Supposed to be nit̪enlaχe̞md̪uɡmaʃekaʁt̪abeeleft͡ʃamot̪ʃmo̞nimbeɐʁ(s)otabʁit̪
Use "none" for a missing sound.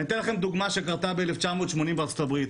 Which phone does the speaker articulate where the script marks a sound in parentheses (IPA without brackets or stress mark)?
t͡s